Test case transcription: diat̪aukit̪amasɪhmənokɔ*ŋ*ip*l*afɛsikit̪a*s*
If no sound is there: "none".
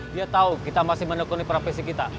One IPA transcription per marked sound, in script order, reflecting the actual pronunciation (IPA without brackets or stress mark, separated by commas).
n, ɾ, none